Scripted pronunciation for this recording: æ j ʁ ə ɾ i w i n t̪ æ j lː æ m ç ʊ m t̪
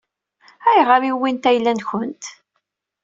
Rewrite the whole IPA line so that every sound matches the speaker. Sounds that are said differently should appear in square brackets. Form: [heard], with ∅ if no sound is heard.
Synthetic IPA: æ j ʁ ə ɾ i w i n t̪ æ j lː æ [n] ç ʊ [n] t̪